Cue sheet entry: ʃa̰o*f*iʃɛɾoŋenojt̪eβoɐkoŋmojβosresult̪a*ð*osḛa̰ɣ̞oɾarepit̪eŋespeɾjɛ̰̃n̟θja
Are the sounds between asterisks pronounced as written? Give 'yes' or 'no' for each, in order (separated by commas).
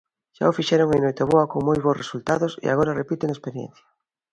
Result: yes, yes